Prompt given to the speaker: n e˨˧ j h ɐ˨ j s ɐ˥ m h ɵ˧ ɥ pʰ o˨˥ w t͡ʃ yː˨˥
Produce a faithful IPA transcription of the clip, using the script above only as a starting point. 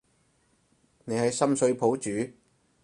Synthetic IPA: n e˨˧ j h ɐ˨ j s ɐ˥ m s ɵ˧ ɥ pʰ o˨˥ w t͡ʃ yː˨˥